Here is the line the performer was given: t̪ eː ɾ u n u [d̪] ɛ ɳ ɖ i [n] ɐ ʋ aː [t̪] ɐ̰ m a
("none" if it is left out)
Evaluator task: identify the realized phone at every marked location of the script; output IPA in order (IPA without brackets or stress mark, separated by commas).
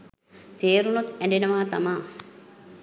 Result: t̪, n, t̪